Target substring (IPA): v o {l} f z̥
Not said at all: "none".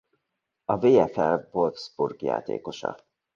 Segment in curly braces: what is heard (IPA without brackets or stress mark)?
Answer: l